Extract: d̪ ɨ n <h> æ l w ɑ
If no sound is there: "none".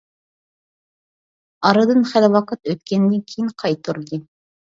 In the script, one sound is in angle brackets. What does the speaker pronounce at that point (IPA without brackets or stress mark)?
χ